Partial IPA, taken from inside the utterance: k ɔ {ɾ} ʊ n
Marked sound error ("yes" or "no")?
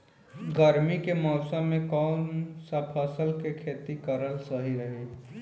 yes